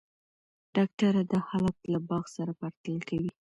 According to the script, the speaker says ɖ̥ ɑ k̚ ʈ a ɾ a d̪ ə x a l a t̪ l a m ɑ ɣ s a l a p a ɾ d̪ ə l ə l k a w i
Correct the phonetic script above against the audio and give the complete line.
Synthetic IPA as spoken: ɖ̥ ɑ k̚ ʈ a ɾ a d̪ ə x a l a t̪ l a b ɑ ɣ s a ɾ a p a ɾ t̪ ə l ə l k a w i